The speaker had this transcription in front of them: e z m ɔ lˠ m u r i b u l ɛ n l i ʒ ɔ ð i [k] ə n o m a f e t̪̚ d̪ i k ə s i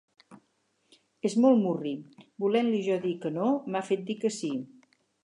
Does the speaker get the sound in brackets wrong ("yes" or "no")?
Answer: no